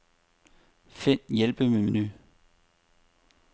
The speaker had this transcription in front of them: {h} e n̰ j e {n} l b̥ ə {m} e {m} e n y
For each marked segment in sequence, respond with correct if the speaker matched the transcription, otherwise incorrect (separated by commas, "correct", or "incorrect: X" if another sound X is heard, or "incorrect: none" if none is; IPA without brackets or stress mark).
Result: incorrect: f, incorrect: none, correct, correct